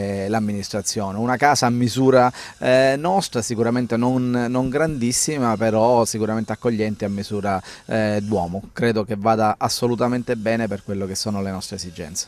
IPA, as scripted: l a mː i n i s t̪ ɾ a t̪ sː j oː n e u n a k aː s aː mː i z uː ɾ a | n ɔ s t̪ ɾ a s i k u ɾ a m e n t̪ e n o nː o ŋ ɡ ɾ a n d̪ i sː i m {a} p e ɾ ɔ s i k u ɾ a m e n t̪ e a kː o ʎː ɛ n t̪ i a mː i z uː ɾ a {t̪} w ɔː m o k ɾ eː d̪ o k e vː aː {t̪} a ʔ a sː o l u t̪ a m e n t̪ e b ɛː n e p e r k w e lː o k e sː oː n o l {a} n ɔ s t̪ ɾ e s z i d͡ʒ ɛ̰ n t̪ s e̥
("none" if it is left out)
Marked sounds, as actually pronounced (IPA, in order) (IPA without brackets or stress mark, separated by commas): a, d̪, d̪, e